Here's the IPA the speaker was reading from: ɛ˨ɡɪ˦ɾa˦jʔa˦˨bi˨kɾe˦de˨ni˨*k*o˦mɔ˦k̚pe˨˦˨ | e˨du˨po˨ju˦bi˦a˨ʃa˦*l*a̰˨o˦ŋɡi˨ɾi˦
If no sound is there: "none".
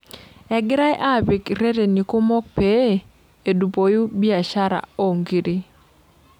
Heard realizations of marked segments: k, ɾ

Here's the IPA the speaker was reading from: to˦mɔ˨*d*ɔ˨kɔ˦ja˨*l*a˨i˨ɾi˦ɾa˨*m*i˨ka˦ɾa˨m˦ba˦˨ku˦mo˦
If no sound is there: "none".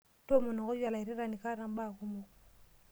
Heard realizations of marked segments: n, l, n

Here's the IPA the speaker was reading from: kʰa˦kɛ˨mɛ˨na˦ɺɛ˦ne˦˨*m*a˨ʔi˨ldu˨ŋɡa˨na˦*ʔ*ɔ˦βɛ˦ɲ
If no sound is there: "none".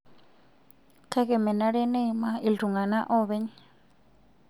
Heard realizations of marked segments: m, ʔ

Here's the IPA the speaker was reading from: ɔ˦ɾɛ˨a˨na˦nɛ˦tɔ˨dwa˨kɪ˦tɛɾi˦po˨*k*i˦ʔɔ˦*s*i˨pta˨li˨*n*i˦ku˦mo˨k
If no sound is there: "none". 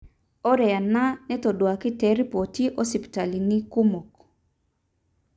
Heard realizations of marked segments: t, s, n

